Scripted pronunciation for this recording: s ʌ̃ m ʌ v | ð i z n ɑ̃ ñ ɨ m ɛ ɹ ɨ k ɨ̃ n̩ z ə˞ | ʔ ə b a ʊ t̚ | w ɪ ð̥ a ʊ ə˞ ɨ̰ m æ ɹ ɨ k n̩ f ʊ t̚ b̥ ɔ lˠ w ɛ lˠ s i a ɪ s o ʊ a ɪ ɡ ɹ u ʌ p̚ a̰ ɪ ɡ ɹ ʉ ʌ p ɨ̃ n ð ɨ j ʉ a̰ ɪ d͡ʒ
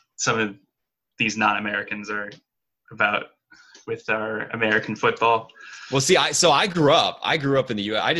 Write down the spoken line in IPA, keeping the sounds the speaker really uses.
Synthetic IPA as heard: s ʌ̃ m ʌ v | ð i z n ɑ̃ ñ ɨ m ɛ ɹ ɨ k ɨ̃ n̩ z ə˞ | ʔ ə b a ʊ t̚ | w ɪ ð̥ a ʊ ə˞ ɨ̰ m ɛ ɹ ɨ k n̩ f ʊ t̚ b̥ ɔ lˠ w ɛ lˠ s i a ɪ s o ʊ a ɪ ɡ ɹ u ʌ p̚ a̰ ɪ ɡ ɹ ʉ ʌ p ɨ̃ n ð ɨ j ʉ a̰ ɪ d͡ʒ